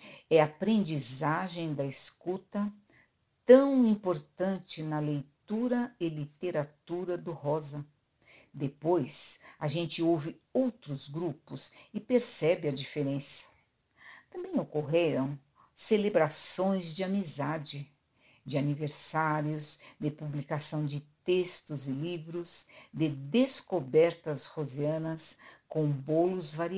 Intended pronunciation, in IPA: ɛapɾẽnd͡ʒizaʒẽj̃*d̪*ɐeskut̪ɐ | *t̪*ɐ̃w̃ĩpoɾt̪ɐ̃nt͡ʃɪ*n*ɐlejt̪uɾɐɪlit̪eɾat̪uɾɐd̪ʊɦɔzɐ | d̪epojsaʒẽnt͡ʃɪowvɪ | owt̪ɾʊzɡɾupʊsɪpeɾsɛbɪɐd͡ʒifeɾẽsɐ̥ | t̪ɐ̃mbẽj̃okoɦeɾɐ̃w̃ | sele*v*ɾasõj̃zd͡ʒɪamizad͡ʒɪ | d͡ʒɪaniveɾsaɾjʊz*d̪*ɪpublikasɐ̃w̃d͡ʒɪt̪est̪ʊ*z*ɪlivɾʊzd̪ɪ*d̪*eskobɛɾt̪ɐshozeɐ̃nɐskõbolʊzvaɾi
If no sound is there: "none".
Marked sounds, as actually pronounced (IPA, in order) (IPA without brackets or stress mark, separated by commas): d̪, t̪, n, b, d̪, z, d̪